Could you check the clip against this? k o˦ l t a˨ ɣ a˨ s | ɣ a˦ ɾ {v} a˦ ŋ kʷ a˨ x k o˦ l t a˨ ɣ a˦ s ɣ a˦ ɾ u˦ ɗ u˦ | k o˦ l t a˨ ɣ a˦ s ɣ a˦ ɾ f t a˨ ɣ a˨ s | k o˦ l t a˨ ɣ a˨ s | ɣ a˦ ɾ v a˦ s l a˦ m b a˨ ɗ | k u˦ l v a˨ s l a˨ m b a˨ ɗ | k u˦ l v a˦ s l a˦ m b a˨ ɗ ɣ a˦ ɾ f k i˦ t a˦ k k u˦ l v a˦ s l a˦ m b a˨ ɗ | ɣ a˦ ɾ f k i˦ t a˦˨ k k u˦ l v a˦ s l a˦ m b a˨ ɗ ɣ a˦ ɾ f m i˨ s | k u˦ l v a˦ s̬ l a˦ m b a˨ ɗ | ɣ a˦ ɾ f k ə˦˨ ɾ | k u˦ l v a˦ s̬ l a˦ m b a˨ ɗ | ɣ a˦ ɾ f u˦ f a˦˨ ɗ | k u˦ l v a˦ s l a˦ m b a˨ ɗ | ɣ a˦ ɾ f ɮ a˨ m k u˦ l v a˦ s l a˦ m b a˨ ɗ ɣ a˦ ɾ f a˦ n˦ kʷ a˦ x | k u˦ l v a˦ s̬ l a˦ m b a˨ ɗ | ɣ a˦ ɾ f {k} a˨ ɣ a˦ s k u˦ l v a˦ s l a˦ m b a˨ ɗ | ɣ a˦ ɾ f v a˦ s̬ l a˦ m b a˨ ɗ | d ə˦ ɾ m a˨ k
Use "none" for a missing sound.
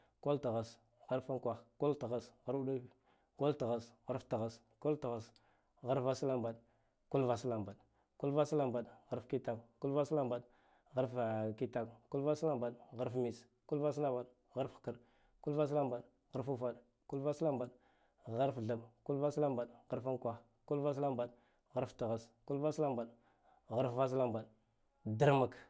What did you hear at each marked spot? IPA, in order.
f, t

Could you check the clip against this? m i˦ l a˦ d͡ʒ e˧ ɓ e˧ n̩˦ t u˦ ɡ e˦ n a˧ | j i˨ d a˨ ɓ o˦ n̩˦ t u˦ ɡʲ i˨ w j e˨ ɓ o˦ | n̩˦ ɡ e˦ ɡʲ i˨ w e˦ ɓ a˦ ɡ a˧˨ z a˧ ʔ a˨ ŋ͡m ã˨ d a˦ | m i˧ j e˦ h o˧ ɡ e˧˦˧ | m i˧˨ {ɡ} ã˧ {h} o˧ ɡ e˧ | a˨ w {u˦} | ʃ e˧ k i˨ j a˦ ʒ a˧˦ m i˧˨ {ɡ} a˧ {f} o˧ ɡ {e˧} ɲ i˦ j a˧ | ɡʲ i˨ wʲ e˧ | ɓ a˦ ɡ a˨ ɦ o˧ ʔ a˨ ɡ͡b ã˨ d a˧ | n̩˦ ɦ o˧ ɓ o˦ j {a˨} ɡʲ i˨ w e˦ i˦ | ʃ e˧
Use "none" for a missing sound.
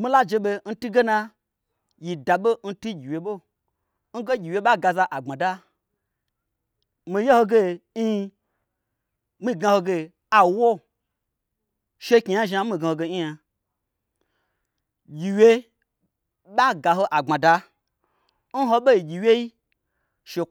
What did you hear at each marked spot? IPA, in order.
ɡ, h, o˦, ɡ, h, e˧, i˨

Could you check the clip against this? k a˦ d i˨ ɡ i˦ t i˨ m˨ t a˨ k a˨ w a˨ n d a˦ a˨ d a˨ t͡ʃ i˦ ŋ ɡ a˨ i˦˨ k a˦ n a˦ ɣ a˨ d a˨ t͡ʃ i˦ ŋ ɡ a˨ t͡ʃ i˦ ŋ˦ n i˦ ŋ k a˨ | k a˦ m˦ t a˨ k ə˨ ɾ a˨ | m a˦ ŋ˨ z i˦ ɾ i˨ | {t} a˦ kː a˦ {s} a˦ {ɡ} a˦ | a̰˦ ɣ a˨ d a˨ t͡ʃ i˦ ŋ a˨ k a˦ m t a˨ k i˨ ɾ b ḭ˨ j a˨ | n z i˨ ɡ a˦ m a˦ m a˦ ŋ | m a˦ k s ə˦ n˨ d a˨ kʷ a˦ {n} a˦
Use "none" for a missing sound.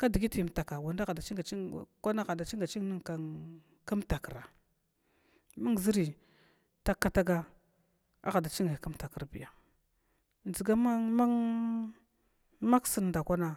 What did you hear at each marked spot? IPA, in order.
t, t, ɡ, n

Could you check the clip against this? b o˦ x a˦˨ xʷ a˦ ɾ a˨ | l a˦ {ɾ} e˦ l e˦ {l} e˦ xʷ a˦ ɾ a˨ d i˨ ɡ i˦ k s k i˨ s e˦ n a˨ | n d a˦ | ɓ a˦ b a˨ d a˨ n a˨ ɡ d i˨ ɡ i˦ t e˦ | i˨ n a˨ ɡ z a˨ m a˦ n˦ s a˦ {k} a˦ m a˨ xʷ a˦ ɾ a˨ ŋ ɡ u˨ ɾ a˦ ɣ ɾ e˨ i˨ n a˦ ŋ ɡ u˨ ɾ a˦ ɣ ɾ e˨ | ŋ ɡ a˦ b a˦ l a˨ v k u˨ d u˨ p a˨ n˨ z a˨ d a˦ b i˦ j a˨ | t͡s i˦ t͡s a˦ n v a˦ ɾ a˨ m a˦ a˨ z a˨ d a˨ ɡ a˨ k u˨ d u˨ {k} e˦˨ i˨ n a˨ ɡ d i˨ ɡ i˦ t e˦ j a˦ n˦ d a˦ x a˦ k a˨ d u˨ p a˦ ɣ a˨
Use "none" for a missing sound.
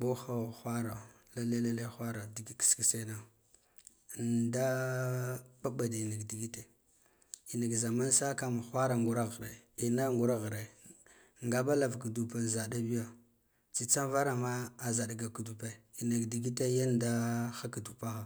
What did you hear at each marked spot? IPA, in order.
l, l, k, p

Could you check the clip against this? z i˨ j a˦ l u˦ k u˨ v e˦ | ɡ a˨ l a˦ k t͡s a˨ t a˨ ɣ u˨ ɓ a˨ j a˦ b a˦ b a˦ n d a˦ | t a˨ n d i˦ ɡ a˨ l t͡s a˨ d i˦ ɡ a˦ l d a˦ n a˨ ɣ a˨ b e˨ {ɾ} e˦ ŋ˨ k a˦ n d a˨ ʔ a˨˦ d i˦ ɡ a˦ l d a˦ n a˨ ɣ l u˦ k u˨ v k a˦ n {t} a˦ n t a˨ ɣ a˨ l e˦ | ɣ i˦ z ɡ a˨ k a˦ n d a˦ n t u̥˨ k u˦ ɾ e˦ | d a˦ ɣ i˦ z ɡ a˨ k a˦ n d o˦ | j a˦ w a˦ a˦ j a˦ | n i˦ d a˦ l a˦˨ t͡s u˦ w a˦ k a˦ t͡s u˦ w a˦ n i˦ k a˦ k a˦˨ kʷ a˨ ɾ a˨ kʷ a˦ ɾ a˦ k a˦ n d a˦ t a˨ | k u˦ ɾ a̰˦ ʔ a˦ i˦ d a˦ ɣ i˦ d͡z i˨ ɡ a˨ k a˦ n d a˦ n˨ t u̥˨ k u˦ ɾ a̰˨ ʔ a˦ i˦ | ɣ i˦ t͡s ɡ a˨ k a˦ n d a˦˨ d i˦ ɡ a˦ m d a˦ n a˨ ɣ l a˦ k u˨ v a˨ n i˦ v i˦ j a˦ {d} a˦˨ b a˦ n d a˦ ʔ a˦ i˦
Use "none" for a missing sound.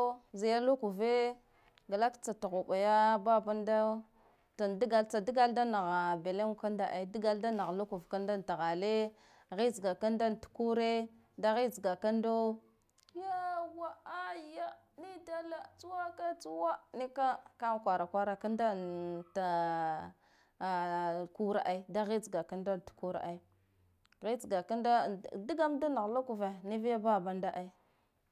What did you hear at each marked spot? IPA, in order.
l, d, b

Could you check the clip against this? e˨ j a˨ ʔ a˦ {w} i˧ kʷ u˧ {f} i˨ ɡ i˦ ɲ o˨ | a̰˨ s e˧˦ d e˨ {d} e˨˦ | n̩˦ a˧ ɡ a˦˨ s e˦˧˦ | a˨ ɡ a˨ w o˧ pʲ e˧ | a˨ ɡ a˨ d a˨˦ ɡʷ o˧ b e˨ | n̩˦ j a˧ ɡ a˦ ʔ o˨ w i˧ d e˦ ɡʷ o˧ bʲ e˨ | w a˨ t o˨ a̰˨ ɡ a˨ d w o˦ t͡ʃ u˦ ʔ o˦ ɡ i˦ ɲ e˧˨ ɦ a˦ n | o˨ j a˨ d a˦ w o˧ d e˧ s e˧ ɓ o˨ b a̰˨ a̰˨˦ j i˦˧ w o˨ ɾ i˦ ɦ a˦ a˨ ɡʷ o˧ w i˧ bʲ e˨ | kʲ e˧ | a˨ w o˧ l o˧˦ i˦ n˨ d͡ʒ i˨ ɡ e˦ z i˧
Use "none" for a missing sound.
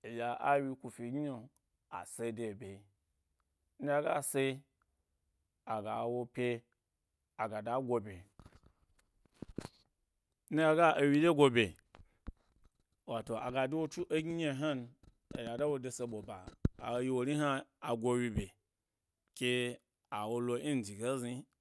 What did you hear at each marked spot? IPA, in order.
w, f, b

